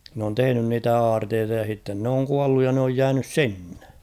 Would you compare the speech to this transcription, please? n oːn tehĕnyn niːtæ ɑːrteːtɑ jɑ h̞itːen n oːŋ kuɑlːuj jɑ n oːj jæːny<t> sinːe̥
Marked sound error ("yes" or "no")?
yes